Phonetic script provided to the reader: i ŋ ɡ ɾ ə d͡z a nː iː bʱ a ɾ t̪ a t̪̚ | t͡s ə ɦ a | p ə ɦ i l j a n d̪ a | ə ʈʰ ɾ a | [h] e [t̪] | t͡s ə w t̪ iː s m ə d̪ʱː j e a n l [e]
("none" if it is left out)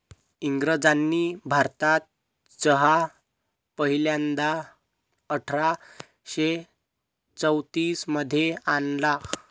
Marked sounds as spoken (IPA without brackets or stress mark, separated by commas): ɕ, none, a